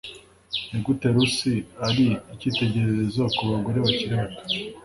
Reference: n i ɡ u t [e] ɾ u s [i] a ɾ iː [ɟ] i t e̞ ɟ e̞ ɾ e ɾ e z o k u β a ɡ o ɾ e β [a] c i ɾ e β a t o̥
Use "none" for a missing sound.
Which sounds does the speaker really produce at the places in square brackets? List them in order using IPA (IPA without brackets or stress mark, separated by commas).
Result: e, i, c, a